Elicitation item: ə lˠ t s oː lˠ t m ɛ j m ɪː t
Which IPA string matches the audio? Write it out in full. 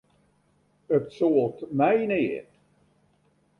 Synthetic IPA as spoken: ə t s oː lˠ t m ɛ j n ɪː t